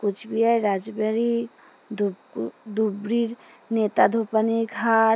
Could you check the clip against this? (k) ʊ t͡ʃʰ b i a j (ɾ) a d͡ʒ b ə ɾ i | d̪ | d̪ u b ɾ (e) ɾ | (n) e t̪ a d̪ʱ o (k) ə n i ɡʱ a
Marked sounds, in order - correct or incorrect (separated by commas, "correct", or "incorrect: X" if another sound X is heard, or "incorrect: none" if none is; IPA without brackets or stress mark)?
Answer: correct, correct, incorrect: i, correct, incorrect: p